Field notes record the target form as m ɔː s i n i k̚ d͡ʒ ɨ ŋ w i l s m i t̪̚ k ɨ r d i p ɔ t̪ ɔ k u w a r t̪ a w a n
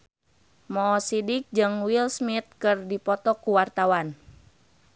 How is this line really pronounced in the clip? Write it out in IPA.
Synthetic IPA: m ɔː s i d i k̚ d͡ʒ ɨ ŋ w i l s m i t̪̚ k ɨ r d i p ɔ t̪ ɔ k u w a r t̪ a w a n